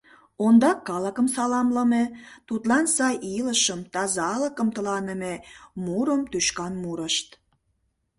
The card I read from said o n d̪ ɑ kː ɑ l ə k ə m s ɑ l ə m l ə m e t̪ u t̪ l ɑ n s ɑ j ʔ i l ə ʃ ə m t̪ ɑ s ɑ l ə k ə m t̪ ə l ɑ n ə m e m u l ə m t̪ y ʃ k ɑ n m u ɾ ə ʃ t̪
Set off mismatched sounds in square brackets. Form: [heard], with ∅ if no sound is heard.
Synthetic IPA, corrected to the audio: o n d̪ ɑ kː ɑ l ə k ə m s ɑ l [ɑ] m l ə m e t̪ u t̪ l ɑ n s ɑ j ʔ i l ə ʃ ə m t̪ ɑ [z] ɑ l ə k ə m t̪ ə l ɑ n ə m e m u [ɾ] ə m t̪ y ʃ k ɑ n m u ɾ ə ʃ t̪